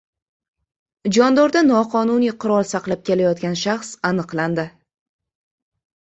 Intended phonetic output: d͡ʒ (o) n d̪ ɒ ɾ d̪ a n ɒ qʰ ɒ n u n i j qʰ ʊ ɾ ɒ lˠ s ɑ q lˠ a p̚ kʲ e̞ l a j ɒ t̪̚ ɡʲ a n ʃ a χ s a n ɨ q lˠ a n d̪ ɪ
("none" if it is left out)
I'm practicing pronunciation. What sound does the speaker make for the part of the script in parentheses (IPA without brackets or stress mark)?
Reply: ɒ